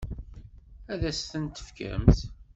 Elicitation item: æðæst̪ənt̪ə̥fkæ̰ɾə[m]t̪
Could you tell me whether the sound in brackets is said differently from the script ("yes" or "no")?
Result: no